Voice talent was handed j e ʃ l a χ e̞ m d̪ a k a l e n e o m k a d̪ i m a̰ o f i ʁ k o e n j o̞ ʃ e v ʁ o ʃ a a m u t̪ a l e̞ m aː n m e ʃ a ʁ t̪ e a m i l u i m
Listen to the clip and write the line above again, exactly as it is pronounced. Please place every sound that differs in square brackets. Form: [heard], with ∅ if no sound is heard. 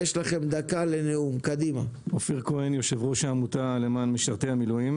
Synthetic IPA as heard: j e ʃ l a χ e̞ m d̪ a k a l e n e [u] m k a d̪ i m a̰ o f i ʁ k o e n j o̞ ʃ e v ʁ o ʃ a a m u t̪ a l e̞ m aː n m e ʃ a ʁ t̪ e a m i l u i m